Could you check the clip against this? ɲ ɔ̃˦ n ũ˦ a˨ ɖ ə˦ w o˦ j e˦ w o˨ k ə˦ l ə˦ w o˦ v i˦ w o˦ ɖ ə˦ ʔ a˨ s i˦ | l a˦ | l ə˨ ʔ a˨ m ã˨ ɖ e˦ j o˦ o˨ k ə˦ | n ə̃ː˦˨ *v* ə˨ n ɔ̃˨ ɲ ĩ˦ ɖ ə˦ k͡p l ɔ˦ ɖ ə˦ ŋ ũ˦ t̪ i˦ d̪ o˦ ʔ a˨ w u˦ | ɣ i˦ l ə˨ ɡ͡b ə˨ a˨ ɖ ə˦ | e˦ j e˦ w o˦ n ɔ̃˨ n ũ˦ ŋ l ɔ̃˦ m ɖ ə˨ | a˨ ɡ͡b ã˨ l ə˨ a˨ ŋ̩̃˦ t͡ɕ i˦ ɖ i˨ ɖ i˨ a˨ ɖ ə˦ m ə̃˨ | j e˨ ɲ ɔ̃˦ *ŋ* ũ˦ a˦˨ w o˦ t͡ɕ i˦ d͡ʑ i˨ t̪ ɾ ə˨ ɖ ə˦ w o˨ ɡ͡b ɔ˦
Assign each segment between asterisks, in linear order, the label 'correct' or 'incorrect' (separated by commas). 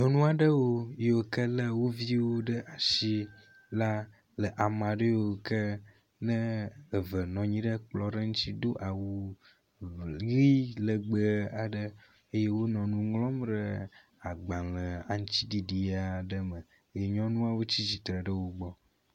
correct, incorrect